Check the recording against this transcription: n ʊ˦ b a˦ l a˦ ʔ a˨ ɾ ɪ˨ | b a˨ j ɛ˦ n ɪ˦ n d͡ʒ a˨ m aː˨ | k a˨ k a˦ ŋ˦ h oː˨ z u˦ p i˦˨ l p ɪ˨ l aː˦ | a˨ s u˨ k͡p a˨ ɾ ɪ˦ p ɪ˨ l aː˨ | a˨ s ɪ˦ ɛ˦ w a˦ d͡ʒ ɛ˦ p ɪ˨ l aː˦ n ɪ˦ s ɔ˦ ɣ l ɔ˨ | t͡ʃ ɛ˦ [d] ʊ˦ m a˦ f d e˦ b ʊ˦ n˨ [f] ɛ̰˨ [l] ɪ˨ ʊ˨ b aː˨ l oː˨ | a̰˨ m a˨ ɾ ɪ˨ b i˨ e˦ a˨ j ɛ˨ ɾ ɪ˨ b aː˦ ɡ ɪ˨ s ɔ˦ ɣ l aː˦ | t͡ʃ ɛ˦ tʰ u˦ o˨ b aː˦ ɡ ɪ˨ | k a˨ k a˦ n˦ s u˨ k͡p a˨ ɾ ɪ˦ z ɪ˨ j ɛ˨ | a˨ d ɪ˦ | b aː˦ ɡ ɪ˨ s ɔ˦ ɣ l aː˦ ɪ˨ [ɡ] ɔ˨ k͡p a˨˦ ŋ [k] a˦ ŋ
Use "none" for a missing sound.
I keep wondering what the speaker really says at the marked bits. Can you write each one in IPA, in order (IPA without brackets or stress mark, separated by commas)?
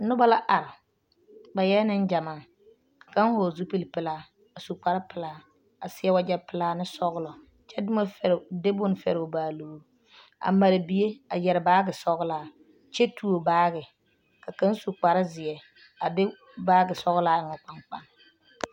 d, f, ɾ, ŋ, k͡p